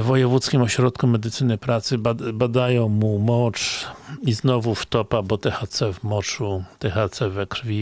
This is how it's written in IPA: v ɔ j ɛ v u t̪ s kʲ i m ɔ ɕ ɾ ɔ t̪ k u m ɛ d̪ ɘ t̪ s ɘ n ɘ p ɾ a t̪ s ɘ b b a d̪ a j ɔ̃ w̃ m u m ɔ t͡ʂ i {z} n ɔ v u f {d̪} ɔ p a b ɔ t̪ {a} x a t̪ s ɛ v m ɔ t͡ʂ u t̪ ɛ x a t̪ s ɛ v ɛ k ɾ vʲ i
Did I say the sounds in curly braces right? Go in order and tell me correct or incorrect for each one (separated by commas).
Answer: correct, incorrect, incorrect